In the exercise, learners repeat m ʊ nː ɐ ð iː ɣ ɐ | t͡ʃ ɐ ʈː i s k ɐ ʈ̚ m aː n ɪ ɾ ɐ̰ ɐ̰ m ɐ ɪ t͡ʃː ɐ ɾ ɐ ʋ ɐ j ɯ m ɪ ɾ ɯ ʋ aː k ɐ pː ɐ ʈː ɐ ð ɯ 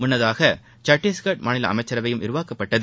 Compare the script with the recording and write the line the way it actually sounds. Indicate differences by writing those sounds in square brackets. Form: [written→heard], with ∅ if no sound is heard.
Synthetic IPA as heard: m ʊ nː ɐ ð [iː→aː] ɣ ɐ | t͡ʃ ɐ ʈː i s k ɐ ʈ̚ m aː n ɪ [ɾ→l] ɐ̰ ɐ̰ m ɐ ɪ t͡ʃː ɐ ɾ ɐ ʋ ɐ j ɯ m ɪ ɾ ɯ ʋ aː k ɐ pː ɐ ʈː ɐ ð ɯ